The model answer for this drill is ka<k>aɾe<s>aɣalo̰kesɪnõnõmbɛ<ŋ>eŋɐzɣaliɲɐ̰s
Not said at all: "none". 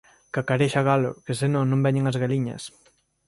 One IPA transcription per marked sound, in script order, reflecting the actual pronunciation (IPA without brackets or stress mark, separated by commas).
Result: k, ʃ, ɲ